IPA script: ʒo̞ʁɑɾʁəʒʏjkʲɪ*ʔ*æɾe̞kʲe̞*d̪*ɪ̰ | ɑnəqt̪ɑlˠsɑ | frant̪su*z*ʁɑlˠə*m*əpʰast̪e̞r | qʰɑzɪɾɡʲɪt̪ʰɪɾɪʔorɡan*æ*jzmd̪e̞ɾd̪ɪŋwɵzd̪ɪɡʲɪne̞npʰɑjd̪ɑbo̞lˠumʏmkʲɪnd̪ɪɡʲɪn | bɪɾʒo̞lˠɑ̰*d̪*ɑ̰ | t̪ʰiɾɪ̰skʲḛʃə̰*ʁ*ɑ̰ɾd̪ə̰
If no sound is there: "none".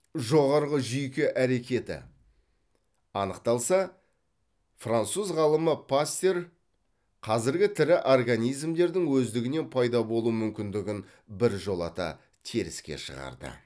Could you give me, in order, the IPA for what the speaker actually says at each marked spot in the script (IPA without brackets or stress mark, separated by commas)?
ʔ, t̪, z, m, i, t̪, ʁ